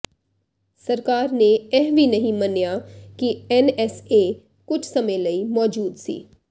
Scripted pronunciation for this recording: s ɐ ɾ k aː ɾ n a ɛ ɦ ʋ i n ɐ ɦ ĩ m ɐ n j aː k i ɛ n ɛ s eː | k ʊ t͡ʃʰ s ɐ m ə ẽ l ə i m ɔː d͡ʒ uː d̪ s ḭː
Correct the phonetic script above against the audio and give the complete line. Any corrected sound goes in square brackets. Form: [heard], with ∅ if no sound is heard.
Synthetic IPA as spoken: s ɐ ɾ k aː ɾ n [e] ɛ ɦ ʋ i n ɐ ɦ ĩ m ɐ n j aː k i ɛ n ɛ s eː | k ʊ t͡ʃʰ s ɐ m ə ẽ l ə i m ɔː d͡ʒ uː d̪ s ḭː